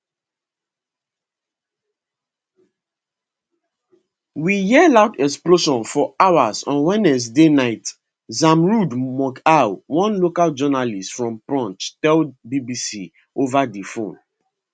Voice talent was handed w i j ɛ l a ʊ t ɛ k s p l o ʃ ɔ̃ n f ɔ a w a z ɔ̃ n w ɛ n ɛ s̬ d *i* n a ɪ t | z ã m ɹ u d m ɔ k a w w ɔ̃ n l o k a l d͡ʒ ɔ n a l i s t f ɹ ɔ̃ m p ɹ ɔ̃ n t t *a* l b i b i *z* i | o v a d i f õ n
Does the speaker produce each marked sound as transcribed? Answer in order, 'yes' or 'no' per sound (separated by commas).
no, no, no